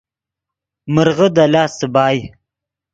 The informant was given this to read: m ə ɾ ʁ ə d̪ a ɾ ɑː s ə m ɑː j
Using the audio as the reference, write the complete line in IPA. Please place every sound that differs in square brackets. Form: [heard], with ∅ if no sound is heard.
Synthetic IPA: m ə ɾ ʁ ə d̪ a [l] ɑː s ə [b] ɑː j